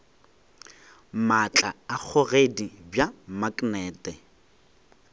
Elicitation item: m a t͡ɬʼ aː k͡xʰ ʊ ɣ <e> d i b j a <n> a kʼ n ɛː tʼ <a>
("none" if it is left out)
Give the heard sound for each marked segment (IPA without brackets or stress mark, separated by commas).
e, m, ɛ